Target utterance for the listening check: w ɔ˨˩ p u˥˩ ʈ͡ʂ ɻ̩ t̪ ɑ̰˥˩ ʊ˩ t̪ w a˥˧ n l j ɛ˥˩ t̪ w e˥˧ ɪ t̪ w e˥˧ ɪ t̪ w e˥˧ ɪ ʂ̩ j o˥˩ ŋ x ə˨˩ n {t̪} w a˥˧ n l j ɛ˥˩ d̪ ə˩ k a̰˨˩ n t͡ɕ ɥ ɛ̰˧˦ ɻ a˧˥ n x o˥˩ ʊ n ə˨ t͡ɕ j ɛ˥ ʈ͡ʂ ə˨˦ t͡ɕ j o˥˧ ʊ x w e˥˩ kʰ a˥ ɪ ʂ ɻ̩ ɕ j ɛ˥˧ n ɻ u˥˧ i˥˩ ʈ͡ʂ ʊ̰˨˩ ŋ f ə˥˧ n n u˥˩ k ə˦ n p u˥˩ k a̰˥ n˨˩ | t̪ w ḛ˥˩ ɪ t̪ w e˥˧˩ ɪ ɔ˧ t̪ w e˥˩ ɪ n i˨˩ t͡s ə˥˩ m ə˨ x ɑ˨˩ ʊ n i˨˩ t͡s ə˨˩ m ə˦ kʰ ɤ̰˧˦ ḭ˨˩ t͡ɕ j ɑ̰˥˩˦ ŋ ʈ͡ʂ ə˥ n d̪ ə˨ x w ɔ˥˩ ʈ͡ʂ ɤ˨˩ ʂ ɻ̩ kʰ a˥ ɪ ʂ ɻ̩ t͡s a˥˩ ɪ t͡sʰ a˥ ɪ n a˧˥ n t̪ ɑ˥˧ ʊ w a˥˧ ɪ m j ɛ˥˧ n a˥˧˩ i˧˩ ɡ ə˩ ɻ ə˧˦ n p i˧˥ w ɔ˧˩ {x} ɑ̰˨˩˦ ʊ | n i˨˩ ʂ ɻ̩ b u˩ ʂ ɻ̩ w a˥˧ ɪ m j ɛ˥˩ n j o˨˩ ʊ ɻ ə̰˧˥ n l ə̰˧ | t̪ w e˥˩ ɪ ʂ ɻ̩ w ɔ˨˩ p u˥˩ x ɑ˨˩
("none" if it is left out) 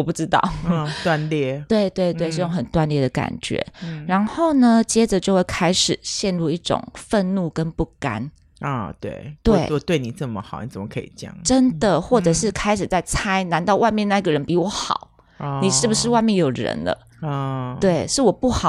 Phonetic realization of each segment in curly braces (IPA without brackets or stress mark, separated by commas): t̪, x